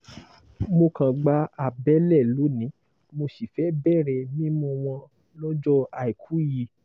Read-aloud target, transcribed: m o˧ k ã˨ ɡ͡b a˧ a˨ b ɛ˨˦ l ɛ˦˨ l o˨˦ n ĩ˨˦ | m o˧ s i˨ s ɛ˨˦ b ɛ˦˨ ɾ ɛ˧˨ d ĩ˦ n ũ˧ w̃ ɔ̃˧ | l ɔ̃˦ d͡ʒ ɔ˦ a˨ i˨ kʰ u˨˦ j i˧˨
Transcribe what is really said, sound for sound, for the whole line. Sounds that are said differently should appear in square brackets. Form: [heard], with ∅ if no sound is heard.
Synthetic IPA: m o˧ k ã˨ ɡ͡b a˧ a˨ b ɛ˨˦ l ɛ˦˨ l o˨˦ n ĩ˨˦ | m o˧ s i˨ [f] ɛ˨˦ b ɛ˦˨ ɾ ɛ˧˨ [n] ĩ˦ [m] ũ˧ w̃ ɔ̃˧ | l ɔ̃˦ d͡ʒ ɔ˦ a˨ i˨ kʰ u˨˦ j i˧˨